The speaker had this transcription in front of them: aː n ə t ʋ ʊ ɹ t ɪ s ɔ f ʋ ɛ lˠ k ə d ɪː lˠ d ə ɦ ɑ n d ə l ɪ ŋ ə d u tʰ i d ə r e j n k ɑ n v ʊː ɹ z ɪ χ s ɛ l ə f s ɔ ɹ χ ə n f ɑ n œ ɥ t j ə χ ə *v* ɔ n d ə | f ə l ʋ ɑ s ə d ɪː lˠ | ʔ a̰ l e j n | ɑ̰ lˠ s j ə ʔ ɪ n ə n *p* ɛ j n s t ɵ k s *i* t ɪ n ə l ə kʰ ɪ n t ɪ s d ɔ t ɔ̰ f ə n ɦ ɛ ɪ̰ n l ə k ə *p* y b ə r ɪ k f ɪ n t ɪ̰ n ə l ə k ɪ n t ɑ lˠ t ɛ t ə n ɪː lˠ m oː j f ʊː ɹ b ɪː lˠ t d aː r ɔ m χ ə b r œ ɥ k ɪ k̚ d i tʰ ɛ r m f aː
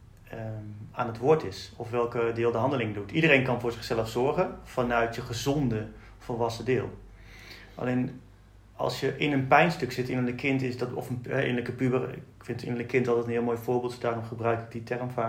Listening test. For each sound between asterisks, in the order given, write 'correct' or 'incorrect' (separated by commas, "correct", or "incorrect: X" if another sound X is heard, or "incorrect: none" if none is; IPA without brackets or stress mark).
incorrect: z, correct, incorrect: ɪ, correct